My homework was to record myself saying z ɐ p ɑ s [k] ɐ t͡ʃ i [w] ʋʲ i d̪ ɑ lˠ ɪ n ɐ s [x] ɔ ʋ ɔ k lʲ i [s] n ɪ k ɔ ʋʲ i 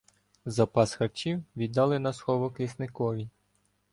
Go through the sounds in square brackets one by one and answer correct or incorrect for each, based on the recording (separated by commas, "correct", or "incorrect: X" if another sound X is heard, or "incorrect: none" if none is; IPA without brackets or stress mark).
incorrect: x, correct, correct, correct